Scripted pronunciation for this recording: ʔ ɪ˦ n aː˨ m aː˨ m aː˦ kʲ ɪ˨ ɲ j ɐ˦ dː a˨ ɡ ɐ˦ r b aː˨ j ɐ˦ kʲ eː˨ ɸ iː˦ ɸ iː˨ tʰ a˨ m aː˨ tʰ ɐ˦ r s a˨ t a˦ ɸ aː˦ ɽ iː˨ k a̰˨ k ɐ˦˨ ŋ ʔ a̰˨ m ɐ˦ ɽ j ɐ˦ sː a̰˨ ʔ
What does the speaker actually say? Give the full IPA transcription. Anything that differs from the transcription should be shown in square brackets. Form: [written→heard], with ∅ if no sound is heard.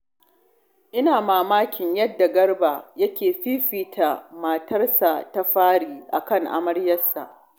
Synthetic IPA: ʔ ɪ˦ n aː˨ m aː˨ m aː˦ kʲ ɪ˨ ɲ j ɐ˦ dː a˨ ɡ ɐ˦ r b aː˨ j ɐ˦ kʲ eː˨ ɸ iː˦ ɸ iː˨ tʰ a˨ m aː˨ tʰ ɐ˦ r s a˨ t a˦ ɸ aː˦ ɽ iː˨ [k→ʔ] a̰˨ k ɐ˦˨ ŋ ʔ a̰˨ m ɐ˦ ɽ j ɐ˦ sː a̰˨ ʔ